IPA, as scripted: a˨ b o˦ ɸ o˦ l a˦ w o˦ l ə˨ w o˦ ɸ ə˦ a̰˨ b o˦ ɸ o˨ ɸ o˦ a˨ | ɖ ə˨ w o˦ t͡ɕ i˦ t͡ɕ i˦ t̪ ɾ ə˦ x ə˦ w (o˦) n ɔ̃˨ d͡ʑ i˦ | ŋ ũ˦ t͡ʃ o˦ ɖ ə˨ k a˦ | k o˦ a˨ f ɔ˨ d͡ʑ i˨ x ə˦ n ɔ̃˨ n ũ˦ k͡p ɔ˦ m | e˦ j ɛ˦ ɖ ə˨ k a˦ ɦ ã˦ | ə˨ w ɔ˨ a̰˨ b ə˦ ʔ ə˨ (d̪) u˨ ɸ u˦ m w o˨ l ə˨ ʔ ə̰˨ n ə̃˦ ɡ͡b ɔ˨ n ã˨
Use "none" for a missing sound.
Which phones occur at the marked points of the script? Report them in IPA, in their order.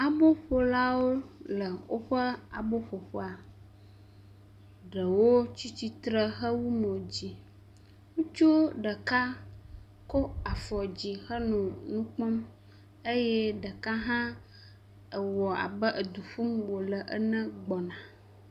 u˦, d̪

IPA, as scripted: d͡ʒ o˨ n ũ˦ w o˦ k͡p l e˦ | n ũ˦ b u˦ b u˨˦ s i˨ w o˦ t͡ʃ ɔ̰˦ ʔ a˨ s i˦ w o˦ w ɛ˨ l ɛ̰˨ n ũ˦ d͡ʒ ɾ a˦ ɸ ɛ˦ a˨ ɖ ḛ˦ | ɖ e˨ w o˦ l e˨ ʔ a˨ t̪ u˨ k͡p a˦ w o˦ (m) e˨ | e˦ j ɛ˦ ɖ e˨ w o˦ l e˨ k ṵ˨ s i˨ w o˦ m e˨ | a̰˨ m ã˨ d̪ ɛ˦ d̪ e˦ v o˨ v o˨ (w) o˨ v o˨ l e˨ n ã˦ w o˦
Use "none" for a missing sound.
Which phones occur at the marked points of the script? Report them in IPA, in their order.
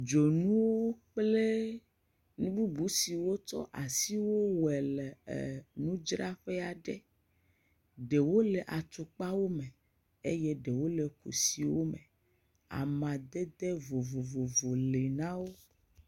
m, v

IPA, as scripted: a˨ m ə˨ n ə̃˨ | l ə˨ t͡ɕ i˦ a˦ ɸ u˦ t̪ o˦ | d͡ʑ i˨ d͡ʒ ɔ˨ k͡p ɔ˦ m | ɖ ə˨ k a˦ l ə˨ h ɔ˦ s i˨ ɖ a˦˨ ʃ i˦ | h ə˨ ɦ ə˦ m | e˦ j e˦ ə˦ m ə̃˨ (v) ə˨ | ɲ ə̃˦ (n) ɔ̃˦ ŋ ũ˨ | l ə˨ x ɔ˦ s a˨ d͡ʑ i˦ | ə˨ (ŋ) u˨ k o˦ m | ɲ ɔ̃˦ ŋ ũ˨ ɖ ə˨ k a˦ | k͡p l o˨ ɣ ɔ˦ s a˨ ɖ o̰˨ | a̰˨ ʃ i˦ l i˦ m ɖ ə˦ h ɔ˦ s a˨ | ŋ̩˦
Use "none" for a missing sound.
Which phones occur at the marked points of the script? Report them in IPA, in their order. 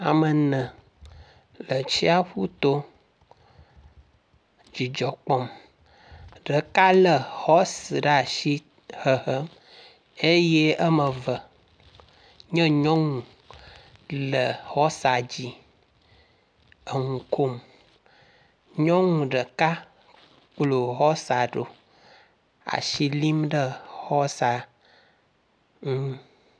v, ɲ, ŋ

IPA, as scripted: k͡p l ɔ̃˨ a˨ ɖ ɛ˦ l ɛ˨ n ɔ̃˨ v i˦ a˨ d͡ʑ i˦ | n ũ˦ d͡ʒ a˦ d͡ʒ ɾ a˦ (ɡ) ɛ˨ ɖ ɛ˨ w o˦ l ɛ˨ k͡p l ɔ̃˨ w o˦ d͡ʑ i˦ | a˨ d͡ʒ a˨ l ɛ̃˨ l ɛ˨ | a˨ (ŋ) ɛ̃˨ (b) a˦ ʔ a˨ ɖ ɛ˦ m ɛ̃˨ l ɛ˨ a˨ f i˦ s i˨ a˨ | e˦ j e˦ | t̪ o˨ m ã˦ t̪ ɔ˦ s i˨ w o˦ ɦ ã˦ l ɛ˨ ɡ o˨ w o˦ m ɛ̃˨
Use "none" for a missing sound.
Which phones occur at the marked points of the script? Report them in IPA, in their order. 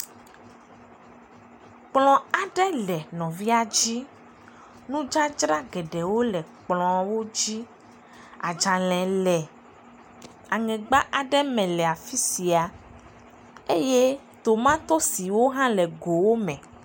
ɡ, ŋ, ɡ͡b

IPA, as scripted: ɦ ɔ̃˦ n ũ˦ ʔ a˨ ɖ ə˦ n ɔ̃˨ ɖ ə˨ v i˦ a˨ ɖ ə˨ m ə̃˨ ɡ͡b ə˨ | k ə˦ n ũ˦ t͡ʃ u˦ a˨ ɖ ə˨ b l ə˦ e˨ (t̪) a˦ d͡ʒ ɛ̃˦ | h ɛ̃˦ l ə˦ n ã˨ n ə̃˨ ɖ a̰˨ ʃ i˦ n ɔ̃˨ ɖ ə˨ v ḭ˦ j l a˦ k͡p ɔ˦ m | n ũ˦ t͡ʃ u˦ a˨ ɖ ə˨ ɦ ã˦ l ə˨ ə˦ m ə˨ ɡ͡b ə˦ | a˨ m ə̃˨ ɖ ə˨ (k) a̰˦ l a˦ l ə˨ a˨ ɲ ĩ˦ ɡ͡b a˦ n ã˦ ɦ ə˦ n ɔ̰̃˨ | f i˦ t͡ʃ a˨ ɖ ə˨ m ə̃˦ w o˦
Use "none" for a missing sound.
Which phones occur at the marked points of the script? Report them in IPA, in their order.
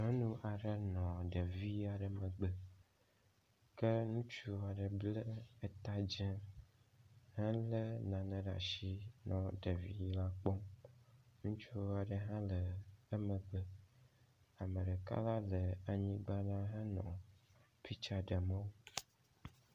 t̪, k

